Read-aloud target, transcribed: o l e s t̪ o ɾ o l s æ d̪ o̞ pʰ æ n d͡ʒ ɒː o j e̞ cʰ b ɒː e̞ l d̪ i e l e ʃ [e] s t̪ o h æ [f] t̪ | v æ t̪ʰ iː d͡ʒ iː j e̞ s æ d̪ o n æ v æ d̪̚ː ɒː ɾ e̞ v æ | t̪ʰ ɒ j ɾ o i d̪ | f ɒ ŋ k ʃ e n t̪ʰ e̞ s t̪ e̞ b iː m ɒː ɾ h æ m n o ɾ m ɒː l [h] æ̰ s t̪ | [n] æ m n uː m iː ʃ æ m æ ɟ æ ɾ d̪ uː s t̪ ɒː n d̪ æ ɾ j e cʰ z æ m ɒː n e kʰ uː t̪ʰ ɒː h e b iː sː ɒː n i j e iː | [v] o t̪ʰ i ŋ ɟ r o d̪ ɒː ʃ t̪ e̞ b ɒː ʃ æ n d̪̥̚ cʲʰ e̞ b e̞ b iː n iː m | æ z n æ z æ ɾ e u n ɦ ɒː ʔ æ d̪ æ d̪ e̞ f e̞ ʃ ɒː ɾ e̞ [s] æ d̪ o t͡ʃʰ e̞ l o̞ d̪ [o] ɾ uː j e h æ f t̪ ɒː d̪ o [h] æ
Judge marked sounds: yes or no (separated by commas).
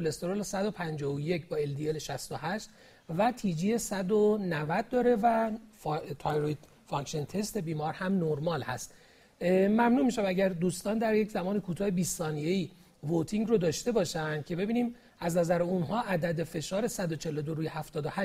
no, no, yes, no, yes, yes, yes, yes